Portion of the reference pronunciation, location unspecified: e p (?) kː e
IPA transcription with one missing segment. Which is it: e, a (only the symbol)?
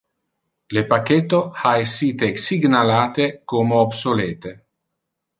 a